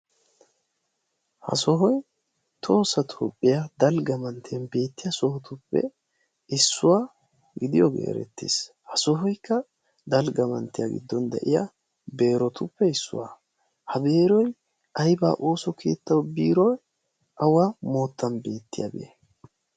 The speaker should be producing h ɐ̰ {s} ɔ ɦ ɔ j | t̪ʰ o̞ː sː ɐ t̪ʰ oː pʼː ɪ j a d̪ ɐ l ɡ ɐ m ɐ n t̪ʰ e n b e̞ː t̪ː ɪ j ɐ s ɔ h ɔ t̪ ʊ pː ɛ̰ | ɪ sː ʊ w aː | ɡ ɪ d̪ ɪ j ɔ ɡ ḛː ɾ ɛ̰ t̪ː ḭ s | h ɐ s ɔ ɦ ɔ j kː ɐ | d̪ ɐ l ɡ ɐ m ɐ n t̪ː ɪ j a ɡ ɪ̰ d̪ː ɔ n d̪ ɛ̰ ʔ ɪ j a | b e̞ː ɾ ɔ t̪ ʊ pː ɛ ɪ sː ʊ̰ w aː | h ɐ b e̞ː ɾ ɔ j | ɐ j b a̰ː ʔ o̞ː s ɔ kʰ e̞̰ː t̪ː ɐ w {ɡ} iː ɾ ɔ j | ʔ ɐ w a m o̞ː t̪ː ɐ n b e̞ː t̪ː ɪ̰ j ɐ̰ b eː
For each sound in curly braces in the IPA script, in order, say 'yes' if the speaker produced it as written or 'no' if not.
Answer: yes, no

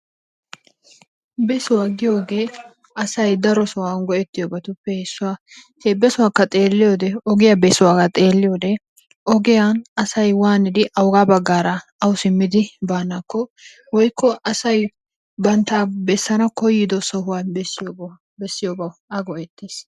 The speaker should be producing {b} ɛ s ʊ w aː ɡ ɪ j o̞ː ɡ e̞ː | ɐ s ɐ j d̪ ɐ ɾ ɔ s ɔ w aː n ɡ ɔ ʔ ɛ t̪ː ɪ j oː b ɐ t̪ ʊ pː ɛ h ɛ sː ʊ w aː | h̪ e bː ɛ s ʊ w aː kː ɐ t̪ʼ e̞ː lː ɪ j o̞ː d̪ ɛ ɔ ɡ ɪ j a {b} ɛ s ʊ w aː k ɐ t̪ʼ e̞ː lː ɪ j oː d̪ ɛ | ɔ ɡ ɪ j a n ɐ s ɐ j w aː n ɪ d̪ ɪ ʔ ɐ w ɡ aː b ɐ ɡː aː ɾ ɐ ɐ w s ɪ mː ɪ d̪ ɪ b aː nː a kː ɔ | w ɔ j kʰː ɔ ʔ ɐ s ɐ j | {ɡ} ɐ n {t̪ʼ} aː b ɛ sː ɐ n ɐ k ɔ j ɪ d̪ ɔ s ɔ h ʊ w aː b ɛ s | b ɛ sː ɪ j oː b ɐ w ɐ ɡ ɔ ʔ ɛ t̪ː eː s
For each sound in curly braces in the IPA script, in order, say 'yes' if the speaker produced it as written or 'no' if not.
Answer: yes, yes, no, no

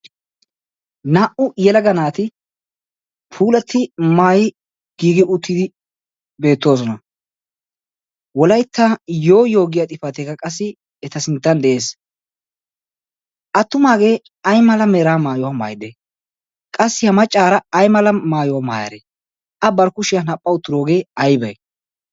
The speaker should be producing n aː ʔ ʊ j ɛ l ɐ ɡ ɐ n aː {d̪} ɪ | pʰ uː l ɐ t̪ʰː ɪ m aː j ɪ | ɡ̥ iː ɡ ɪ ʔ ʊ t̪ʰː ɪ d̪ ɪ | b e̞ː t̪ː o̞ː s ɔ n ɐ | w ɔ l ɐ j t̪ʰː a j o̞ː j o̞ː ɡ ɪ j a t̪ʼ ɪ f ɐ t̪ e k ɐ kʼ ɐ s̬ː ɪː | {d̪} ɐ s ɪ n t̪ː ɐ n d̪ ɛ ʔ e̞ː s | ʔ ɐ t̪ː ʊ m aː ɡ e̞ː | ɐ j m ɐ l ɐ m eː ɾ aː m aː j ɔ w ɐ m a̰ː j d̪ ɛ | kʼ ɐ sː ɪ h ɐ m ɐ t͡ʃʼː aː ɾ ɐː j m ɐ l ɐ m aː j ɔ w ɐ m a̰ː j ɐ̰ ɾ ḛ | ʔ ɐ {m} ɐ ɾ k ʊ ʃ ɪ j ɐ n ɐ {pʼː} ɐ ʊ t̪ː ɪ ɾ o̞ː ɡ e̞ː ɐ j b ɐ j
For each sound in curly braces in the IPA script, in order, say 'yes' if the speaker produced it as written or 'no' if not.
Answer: no, no, no, yes

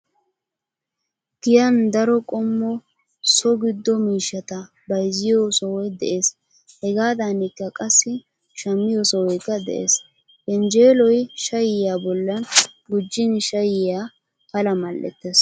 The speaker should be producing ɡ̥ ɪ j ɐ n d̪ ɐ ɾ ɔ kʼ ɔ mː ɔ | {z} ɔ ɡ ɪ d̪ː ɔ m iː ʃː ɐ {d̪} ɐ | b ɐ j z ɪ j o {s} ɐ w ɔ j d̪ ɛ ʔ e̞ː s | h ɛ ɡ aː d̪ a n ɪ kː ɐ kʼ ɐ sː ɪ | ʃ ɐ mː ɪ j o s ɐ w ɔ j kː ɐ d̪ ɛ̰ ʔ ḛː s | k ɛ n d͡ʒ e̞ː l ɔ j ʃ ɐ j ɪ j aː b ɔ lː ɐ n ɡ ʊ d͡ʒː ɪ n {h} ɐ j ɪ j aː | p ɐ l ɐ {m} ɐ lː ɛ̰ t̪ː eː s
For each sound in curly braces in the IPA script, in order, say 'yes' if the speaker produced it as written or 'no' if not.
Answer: no, no, yes, no, yes

